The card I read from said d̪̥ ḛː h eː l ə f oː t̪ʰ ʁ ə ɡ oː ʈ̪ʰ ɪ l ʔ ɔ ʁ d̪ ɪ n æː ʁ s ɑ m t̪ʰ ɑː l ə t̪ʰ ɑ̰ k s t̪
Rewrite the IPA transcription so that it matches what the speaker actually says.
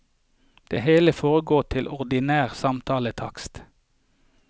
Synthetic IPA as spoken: d̪̥ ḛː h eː l ə f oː ʁ ə ɡ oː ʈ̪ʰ ɪ l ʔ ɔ ʁ d̪ ɪ n æː ʁ s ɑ m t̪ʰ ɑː l ə t̪ʰ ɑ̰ k s t̪